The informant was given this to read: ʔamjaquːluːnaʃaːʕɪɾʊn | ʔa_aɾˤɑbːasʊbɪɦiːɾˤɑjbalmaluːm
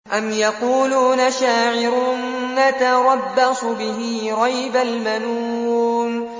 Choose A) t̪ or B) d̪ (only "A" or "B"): A